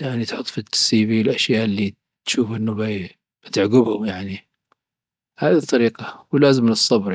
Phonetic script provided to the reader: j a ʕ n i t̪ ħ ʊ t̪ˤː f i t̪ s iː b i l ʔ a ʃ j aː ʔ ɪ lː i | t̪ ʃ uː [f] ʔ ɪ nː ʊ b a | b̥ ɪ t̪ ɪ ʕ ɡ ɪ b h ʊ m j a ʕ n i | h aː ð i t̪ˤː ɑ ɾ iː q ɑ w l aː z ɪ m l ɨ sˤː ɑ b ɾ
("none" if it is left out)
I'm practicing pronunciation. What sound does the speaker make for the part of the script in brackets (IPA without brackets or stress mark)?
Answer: f